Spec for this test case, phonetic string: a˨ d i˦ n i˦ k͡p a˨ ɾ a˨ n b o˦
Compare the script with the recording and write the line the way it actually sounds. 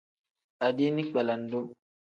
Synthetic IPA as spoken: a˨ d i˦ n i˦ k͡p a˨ l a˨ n d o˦